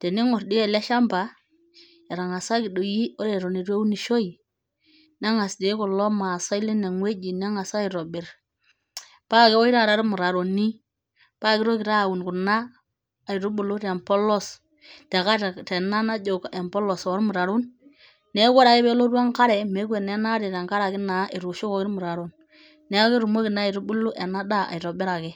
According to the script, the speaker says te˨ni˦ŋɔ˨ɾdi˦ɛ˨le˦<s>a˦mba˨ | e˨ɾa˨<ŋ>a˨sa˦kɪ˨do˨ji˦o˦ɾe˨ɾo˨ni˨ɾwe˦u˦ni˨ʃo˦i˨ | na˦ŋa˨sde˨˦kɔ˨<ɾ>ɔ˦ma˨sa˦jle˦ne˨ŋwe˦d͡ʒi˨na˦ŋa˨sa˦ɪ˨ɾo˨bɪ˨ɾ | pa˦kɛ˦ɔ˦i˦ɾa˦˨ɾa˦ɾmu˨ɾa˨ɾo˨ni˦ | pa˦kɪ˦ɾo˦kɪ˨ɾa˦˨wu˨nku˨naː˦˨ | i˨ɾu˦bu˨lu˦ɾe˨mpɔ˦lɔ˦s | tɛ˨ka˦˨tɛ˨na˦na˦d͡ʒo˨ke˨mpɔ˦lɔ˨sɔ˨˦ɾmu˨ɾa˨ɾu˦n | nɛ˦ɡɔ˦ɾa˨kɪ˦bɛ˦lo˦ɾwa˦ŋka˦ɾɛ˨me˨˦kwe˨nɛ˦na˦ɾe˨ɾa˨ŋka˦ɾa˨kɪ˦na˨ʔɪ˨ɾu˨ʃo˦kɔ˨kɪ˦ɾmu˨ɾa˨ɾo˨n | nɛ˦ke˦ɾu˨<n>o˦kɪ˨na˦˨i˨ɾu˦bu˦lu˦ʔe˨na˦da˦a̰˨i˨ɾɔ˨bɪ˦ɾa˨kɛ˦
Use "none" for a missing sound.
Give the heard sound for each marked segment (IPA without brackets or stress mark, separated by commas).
ʃ, ŋ, l, m